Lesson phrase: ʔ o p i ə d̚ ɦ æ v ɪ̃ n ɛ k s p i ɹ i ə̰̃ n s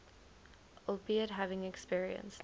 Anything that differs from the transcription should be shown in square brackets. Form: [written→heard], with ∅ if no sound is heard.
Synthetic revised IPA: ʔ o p i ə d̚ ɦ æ v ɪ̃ [n→ŋ] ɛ k s p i ɹ i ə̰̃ n s